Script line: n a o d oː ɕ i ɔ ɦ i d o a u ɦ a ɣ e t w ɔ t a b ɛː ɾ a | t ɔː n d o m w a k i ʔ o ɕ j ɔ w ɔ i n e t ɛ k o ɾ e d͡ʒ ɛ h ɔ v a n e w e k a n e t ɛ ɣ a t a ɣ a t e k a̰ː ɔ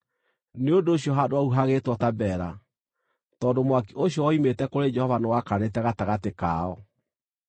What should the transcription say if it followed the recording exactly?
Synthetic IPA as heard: n e o d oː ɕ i ɔ ɦ a d o a u ɦ a ɣ e t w ɔ t a b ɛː ɾ a | t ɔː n d o m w a k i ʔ o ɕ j ɔ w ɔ i m e t ɛ k o ɾ e d͡ʒ ɛ h ɔ v a n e w a k a n e t ɛ ɣ a t a ɣ a t e k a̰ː ɔ